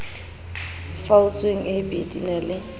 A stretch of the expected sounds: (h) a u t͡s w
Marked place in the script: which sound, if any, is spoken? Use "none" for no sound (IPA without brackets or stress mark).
f